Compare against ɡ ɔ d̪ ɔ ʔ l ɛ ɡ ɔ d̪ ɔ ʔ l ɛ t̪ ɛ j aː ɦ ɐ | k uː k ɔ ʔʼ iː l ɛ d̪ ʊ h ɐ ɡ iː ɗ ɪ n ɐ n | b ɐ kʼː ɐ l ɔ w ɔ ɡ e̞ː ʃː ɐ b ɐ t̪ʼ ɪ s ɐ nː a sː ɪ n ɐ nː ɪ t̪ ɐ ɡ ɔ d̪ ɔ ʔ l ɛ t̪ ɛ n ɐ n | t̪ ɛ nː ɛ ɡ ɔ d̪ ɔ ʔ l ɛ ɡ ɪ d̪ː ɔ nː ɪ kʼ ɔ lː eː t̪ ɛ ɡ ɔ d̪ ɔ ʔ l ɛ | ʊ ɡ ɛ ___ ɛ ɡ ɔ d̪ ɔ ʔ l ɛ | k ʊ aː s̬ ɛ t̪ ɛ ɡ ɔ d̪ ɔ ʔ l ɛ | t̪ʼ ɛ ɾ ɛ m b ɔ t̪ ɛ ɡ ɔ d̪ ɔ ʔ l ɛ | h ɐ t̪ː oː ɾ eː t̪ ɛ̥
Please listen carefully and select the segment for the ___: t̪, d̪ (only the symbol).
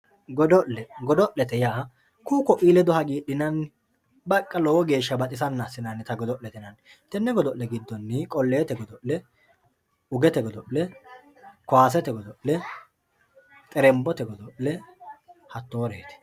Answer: t̪